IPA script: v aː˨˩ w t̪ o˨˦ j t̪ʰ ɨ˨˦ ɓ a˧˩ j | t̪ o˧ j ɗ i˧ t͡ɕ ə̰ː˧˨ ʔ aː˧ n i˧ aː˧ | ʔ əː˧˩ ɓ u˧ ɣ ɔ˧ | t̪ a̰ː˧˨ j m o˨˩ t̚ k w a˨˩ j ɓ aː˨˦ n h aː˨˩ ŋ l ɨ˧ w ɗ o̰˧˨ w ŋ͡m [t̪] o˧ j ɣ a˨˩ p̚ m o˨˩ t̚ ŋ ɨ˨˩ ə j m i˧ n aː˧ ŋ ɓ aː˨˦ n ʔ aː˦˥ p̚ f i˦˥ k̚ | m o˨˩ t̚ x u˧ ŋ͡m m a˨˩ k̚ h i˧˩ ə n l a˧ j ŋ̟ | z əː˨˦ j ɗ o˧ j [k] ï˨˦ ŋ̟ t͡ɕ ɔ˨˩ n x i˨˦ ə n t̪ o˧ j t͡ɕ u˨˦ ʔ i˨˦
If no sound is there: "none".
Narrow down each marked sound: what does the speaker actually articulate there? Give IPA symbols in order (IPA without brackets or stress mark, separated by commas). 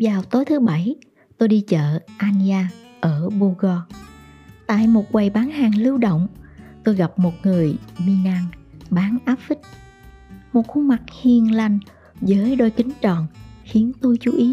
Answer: t̪, k